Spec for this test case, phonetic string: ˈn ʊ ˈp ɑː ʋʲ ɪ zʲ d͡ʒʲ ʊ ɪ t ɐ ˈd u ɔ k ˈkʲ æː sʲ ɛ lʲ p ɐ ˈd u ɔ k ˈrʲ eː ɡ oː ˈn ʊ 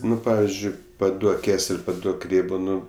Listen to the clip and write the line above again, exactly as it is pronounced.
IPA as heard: ˈn ʊ ˈp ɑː ʋʲ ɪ zʲ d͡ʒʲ ʊ ɪ p ɐ ˈd u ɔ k ˈkʲ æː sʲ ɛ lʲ p ɐ ˈd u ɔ k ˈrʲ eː b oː ˈn ʊ

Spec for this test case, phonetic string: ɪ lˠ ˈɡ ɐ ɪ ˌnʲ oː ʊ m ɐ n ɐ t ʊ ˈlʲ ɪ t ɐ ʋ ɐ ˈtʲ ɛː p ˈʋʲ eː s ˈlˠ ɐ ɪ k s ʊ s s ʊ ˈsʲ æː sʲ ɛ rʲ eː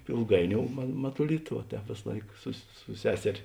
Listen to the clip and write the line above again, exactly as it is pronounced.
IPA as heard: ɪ lˠ ˈɡ ɐ ɪ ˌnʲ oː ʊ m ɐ m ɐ t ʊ ˈlʲ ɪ t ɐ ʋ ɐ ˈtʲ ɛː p ˈʋʲ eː s ˈlˠ ɐ ɪ k s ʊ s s ʊ ˈsʲ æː sʲ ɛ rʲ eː

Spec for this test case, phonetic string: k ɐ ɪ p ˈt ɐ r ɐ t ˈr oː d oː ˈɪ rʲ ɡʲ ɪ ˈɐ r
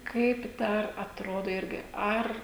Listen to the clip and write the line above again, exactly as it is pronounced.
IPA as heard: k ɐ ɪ p ˈd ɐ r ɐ t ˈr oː d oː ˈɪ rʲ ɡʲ ɪ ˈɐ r

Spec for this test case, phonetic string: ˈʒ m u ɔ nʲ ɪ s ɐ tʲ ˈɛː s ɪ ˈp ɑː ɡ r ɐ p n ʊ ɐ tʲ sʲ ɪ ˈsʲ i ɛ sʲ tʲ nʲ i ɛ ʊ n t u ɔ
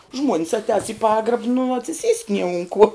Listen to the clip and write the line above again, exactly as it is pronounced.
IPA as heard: ˈʒ m u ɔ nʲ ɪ s ɐ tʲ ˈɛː s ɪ ˈp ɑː ɡ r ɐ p n ʊ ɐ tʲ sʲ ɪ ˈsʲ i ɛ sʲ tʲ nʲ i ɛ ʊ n k u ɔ

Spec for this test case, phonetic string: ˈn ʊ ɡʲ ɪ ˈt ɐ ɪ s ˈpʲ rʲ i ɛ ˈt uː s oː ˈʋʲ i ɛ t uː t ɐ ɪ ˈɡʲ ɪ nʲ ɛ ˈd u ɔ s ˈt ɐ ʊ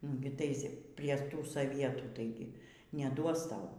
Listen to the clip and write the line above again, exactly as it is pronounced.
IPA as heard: ˈn ʊ ɡʲ ɪ ˈt ɐ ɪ s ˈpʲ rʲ i ɛ ˈt uː s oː ˈʋʲ i ɛ t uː t ɐ ɪ ˈɡʲ ɪ nʲ ɛ ˈd u ɔ s ˈt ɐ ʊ

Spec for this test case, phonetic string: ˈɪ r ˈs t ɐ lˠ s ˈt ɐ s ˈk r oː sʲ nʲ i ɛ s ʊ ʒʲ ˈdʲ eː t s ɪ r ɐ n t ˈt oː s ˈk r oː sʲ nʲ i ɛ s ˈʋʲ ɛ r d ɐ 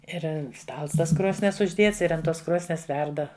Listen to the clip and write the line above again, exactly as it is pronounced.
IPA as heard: ˈɪ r ˈs t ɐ lˠ s ˈt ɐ s ˈk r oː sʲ nʲ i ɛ s ʊ ʒʲ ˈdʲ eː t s ɪ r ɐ n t ˈt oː s ˈk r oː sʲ nʲ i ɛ s ˈʋʲ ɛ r d ɐ

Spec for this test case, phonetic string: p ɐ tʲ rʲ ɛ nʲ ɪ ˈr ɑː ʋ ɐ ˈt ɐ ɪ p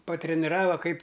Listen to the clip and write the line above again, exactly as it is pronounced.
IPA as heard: p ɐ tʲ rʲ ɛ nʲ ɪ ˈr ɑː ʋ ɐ ˈk ɐ ɪ p

